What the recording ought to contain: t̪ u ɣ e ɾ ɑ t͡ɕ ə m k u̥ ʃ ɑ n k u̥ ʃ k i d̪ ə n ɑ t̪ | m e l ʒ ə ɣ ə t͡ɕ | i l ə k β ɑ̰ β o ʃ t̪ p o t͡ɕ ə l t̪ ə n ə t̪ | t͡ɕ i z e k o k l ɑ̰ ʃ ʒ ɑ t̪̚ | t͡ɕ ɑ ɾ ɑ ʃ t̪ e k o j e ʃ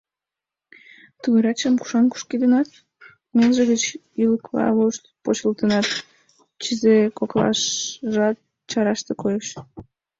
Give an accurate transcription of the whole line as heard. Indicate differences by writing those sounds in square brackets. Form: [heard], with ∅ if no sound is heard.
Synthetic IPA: t̪ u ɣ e ɾ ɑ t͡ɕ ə m k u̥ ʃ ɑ n k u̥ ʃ k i d̪ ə n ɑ t̪ | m e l ʒ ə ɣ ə t͡ɕ | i l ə k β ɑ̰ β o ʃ t̪ p o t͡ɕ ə l t̪ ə n [ɑ] t̪ | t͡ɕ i z e k o k l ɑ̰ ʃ ʒ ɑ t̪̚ | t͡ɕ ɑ ɾ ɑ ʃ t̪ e k o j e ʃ